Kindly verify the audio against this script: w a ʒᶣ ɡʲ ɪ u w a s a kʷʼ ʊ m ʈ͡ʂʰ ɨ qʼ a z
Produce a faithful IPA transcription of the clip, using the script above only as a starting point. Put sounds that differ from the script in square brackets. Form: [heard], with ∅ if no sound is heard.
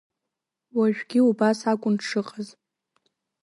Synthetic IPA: w a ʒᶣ ɡʲ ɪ u [b] a s a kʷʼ ʊ [n] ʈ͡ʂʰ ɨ qʼ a z